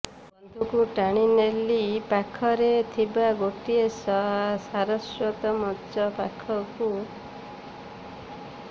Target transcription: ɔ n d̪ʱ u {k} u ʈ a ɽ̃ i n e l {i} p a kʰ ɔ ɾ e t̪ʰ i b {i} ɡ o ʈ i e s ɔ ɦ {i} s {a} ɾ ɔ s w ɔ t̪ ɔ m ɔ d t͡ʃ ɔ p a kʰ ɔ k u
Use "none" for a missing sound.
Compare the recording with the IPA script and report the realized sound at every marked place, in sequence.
k, i, a, a, a

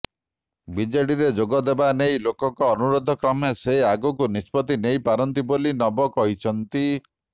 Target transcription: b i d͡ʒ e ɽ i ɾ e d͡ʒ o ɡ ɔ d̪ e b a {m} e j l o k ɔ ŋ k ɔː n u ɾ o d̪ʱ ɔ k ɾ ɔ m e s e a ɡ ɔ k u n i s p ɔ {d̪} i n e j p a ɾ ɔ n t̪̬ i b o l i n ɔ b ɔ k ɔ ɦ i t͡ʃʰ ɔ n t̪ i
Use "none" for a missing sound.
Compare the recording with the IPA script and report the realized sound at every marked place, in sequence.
n, t̪

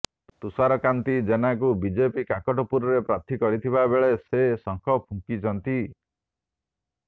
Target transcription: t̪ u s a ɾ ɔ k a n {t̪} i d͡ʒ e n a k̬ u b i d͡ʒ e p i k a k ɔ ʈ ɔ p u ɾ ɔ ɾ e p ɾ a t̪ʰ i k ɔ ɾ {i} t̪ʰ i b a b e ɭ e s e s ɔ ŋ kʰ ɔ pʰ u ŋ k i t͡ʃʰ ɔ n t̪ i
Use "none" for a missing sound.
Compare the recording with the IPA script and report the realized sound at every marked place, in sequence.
t̪, i

